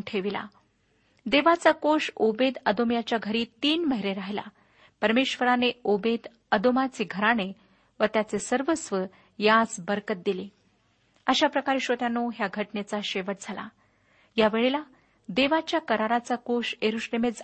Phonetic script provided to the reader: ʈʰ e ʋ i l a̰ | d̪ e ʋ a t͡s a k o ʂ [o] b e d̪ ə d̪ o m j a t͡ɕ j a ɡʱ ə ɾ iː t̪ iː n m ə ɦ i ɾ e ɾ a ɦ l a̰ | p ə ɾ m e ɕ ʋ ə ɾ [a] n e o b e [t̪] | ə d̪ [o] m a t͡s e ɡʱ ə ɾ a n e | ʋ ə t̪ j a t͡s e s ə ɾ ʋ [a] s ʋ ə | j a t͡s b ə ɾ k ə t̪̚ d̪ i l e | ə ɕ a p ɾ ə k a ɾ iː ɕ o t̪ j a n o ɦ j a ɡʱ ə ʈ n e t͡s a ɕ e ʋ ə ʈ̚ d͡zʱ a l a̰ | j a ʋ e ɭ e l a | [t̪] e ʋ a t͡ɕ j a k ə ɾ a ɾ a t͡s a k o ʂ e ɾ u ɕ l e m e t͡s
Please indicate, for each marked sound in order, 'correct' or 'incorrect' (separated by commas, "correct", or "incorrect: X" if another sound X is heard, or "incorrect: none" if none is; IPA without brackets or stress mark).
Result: correct, correct, incorrect: d̪, correct, incorrect: ə, incorrect: d̪